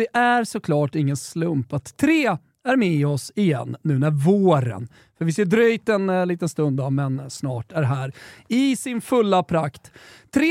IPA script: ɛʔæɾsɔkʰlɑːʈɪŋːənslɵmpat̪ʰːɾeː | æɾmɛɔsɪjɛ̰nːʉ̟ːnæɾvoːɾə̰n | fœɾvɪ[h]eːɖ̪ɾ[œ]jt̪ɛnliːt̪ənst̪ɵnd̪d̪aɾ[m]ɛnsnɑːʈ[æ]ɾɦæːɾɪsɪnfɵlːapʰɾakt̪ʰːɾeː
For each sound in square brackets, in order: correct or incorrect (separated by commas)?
incorrect, correct, correct, correct